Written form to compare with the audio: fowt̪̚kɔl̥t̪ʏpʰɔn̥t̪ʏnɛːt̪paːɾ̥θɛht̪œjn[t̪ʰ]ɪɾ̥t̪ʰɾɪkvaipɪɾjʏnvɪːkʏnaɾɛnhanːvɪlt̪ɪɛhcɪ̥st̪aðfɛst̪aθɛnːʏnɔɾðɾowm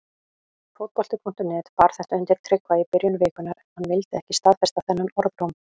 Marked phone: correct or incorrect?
incorrect: t̪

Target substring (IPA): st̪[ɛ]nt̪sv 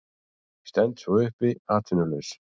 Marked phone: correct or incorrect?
correct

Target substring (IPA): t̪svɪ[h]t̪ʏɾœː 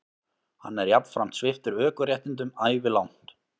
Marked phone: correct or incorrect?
incorrect: f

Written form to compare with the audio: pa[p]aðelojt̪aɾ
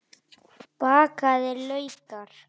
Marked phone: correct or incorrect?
incorrect: k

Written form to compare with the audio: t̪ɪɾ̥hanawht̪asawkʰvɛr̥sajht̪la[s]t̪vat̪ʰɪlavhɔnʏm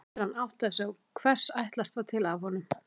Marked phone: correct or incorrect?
correct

